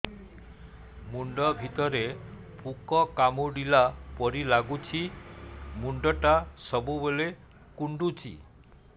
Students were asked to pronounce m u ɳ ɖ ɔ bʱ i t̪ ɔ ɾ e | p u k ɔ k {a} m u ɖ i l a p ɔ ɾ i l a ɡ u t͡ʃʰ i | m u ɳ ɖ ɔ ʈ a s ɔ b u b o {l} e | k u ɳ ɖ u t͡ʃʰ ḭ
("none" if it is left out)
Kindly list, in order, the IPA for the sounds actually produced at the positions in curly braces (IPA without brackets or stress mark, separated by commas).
a, l